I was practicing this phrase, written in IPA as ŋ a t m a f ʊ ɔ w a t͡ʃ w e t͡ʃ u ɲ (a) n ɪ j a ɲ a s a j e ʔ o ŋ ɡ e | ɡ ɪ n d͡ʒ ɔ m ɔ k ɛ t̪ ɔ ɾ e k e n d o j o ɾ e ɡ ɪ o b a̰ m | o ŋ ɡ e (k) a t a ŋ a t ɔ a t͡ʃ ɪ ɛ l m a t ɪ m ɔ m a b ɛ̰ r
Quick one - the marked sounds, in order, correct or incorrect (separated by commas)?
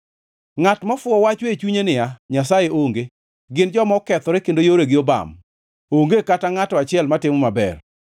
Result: incorrect, correct